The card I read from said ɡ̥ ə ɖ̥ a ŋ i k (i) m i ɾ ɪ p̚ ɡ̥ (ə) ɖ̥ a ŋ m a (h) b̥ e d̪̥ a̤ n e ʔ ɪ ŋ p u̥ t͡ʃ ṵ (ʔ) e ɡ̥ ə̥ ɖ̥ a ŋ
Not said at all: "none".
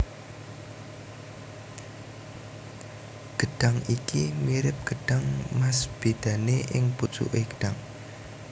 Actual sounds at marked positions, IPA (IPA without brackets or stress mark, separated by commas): i, ə, s, ʔ